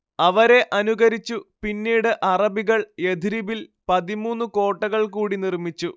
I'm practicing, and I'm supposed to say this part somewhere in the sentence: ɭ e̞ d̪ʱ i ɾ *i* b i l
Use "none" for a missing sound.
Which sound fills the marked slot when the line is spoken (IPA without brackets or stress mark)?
i